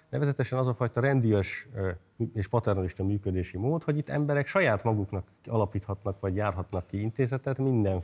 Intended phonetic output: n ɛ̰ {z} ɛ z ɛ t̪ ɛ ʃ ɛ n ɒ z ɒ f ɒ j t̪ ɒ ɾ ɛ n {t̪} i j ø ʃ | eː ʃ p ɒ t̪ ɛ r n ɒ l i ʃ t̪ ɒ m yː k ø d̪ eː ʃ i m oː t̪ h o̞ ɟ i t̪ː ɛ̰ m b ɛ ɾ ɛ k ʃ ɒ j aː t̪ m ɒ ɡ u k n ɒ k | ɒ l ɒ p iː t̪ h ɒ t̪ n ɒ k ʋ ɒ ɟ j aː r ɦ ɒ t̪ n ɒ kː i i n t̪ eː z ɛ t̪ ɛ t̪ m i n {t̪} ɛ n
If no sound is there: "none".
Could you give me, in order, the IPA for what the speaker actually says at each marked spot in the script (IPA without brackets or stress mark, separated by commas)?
v, d̪, d̪